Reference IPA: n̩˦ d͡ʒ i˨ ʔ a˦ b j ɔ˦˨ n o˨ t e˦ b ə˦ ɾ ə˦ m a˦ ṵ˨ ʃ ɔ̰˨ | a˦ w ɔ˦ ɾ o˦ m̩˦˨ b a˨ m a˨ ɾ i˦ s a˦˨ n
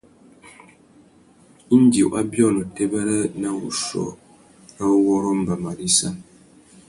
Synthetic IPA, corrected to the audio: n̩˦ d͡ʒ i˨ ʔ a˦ b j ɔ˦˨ n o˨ t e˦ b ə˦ ɾ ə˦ n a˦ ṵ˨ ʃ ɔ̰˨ | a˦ w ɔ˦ ɾ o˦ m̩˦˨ b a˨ m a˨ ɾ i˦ s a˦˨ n